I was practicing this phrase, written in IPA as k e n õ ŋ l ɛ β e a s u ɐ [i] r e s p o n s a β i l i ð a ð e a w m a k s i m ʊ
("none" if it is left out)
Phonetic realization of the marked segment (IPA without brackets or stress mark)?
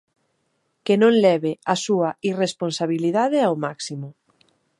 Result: i